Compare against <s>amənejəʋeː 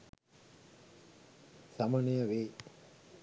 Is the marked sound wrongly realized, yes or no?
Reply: no